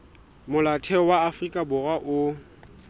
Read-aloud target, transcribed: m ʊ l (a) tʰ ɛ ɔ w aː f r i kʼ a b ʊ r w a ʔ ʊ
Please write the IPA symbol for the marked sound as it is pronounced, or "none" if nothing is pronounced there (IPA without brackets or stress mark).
a